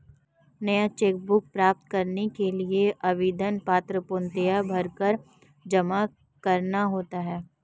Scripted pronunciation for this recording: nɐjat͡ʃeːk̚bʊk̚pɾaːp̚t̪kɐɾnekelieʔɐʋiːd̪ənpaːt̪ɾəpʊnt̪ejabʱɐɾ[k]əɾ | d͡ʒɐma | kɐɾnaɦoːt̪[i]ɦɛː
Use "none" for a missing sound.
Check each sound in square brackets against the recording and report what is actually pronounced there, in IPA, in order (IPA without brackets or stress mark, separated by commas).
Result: k, a